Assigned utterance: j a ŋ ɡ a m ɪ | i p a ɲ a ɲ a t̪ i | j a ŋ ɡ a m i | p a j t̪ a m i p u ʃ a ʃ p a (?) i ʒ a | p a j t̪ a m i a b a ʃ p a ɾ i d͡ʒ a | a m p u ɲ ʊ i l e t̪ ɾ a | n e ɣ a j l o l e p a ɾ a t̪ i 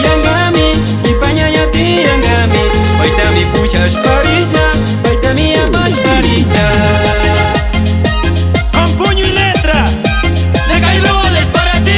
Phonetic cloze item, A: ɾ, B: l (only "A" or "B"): A